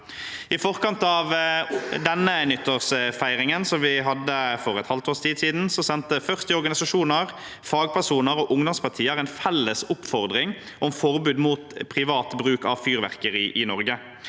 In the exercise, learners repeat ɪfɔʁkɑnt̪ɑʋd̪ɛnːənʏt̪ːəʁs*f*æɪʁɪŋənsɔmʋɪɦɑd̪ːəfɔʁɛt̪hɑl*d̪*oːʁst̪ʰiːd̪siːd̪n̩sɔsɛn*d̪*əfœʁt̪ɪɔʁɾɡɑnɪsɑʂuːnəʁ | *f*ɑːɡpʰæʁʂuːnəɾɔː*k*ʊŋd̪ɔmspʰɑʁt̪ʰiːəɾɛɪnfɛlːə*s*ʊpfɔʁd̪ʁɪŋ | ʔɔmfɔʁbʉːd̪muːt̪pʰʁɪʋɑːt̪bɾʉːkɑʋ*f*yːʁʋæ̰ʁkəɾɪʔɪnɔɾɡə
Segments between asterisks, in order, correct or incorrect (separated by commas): correct, incorrect, incorrect, correct, incorrect, correct, correct